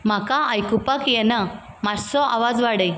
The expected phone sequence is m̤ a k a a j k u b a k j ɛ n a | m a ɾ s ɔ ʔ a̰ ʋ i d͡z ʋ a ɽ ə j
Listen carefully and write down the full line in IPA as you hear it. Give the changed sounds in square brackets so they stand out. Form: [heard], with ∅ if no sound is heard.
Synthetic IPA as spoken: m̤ a k a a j k u [p] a k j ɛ n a | m a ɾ s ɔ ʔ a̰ ʋ [a] d͡z ʋ a ɽ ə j